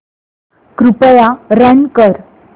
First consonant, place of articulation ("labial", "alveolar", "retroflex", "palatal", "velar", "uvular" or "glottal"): velar